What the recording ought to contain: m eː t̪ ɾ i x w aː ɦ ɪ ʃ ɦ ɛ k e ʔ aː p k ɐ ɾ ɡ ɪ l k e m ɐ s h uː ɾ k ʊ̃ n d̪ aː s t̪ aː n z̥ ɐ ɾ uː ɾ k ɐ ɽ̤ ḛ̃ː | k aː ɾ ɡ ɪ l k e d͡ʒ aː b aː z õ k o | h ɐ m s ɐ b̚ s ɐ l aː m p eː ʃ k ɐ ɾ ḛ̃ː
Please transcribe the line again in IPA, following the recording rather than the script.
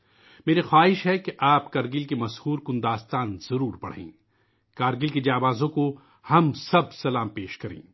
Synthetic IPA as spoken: m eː ɾ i x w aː ɦ ɪ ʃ ɦ ɛ k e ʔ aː p k ɐ ɾ ɡ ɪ l k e m ɐ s h uː ɾ k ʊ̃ n d̪ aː s t̪ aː n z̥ ɐ ɾ uː ɾ p ɐ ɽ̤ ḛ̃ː | k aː ɾ ɡ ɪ l k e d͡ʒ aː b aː z õ k o | h ɐ m s ɐ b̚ s ɐ l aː m p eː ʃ k ɐ ɾ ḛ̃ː